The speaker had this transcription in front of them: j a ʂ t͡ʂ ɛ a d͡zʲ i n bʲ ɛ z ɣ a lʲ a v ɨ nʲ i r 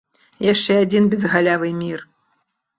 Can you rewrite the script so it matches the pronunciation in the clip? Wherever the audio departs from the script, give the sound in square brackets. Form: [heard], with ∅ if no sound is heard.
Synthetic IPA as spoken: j a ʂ t͡ʂ ɛ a d͡zʲ i n bʲ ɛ z ɣ a lʲ a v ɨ [mʲ] i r